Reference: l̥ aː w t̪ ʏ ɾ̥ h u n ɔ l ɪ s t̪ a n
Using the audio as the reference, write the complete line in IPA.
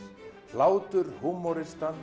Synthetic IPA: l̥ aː w t̪ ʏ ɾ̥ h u m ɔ ɾ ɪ s t̪ a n